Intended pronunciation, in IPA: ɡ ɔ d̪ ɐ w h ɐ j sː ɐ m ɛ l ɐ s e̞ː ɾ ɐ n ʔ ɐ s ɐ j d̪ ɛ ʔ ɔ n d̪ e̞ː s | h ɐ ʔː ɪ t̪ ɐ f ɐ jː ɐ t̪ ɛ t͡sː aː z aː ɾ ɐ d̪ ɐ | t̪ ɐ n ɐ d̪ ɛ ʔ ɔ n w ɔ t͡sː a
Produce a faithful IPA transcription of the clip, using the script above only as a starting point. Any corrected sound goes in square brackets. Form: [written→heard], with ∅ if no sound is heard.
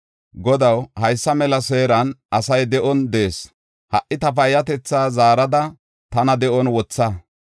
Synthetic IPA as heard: ɡ ɔ d̪ ɐ w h ɐ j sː ɐ m ɛ l ɐ s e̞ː ɾ ɐ n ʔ ɐ s ɐ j d̪ ɛ ʔ ɔ n d̪ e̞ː s | h ɐ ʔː ɪ t̪ ɐ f ɐ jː ɐ t̪ ɛ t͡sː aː z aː ɾ ɐ d̪ ɐ | t̪ ɐ n ɐ d̪ ɛ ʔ ɔ n w ɔ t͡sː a